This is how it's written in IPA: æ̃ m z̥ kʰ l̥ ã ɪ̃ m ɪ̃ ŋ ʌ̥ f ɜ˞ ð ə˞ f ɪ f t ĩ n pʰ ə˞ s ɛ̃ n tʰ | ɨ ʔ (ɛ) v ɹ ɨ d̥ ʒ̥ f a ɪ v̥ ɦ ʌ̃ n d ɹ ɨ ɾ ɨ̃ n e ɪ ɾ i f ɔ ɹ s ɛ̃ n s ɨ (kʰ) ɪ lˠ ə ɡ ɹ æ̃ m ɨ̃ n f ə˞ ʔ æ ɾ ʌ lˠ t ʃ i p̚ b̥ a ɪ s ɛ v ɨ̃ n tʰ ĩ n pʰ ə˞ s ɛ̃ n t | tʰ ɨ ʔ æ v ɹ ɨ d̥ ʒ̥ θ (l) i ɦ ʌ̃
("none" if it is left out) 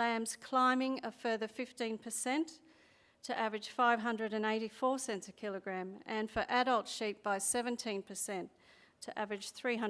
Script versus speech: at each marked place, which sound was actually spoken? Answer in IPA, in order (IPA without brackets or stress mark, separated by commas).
æ, kʰ, ɹ